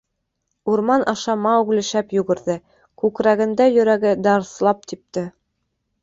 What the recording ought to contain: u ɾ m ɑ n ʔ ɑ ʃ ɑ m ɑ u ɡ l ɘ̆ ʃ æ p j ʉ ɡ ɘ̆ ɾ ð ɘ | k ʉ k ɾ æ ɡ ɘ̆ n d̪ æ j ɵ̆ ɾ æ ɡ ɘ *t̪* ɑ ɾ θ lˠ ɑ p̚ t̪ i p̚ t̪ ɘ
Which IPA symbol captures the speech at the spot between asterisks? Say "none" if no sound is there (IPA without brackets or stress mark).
d̪